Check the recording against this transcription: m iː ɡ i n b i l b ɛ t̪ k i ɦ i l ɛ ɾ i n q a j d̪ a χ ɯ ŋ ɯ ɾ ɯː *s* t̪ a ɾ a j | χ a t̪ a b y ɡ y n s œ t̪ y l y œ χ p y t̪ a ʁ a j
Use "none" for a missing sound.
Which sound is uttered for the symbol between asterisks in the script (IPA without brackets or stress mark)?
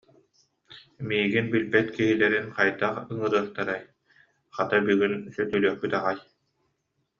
χ